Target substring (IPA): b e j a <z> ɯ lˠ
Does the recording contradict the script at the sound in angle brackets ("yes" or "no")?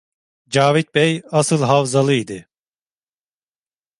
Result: yes